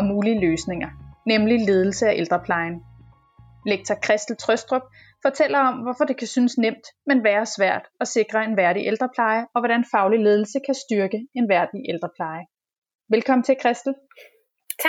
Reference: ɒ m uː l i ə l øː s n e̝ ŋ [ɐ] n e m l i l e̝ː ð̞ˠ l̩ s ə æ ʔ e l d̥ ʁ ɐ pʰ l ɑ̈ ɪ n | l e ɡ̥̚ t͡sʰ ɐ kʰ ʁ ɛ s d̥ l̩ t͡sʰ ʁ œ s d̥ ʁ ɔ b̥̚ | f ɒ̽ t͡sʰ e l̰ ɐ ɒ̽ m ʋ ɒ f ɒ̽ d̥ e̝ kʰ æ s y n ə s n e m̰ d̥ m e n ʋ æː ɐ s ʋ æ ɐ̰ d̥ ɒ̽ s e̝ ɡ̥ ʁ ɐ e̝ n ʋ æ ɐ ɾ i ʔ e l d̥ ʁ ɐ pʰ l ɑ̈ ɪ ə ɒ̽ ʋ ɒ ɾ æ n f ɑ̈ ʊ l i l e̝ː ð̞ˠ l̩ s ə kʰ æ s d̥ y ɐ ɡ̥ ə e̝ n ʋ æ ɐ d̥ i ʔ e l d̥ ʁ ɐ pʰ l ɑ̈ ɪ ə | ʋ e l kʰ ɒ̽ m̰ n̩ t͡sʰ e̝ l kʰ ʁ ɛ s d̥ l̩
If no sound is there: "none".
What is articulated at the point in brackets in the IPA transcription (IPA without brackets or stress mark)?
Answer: ɐ